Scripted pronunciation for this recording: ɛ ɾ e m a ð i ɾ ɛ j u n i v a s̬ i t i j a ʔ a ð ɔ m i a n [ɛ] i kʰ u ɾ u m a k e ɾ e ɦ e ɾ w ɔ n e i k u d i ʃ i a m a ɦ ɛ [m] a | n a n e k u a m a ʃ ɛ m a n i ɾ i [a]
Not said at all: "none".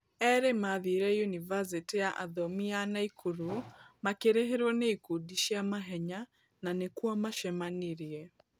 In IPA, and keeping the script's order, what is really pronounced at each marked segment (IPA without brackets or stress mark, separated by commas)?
a, ɲ, ɛ